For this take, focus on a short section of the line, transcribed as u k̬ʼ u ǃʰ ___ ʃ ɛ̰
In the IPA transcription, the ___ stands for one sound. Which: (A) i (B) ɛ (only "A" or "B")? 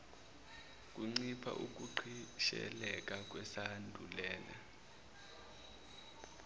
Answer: A